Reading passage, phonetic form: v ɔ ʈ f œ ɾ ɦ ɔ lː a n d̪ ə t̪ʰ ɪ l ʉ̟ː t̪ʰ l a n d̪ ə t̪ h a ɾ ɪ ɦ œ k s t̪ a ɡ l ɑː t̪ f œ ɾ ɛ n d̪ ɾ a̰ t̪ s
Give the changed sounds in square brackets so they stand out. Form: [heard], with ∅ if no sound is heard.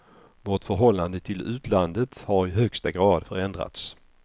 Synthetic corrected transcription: v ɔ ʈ f œ ɾ ɦ ɔ lː a n d̪ ə t̪ʰ ɪ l ʉ̟ː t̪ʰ l a n d̪ ə t̪ h a ɾ ɪ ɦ œ k s t̪ a ɡ [ɾ] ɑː [d̪] f œ ɾ ɛ n d̪ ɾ a̰ t̪ s